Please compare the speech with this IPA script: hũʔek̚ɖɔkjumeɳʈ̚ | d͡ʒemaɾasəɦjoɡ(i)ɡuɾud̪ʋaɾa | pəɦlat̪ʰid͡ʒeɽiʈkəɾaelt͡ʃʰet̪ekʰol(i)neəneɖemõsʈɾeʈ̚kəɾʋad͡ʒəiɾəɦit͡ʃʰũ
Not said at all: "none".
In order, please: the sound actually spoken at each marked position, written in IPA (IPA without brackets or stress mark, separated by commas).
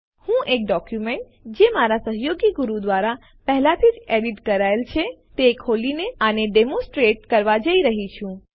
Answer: i, i